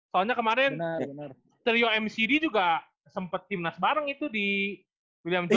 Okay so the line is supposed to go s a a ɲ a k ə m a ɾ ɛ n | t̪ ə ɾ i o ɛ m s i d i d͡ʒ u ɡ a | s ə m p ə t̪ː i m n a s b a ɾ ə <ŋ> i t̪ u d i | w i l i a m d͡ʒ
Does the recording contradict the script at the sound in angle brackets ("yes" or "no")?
no